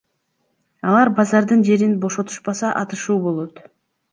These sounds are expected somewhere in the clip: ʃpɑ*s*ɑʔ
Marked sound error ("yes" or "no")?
no